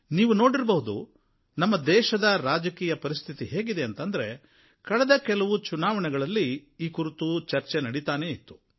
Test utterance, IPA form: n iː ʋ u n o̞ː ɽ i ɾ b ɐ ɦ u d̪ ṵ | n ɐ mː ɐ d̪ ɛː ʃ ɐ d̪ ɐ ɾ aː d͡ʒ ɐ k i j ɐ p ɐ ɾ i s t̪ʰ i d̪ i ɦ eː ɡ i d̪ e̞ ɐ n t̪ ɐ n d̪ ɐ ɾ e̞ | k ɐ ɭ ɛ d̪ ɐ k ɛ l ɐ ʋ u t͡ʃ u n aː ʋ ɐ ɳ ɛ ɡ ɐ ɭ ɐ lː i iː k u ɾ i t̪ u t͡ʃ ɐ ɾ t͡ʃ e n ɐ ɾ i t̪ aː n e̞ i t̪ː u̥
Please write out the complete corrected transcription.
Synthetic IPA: n iː ʋ u n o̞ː ɽ i ɾ b ɐ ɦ u d̪ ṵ | n ɐ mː ɐ d̪ ɛː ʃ ɐ d̪ ɐ ɾ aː d͡ʒ ɐ k iː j ɐ p ɐ ɾ i s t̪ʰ i t̪ i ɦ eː ɡ i d̪ e̞ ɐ n t̪ ɐ n d̪ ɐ ɾ e̞ | k ɐ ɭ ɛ d̪ ɐ k ɛ l ɐ ʋ u t͡ʃ u n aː ʋ ɐ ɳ ɛ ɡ ɐ ɭ ɐ lː i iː k u ɾ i t̪ u t͡ʃ ɐ ɾ t͡ʃ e n ɐ ɽ i t̪ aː n e̞ i t̪ː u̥